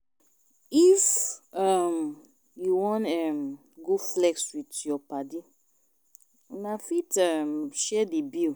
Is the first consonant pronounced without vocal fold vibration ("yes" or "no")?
yes